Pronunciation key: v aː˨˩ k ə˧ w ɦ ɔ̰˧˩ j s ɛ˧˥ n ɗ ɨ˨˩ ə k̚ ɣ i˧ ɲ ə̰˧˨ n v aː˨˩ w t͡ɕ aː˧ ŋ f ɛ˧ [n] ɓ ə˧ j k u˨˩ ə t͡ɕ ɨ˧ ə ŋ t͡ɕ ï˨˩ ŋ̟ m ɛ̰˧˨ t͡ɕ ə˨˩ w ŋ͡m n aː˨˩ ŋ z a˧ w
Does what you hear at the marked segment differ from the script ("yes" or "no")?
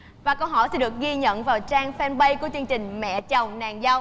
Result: no